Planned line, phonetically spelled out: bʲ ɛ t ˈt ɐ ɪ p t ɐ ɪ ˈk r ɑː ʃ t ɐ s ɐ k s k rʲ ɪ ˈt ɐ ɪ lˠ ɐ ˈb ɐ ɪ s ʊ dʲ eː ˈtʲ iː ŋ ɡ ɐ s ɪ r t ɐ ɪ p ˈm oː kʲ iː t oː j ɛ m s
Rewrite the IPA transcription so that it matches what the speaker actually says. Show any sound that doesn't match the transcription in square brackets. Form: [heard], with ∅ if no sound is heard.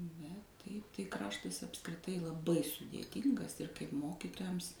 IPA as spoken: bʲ ɛ t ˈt ɐ ɪ p t ɐ ɪ ˈk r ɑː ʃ t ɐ s ɐ [p] s k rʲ ɪ ˈt ɐ ɪ lˠ ɐ ˈb ɐ ɪ s ʊ dʲ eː ˈtʲ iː ŋ ɡ ɐ s ɪ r [k] ɐ ɪ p ˈm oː kʲ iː t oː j ɛ m s